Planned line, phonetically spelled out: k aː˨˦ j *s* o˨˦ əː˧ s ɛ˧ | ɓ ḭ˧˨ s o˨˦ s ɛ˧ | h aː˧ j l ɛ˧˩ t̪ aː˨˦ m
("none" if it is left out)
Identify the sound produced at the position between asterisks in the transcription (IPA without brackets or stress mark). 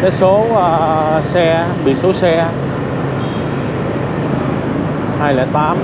s